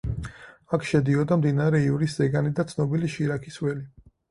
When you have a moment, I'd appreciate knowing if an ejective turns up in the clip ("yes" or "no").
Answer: no